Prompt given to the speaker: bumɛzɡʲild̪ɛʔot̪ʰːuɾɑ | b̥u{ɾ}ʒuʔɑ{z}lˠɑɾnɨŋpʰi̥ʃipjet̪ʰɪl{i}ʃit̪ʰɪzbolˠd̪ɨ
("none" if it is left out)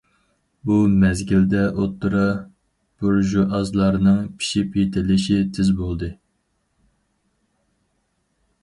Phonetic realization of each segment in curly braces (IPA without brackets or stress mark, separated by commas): ɾ, z, ɪ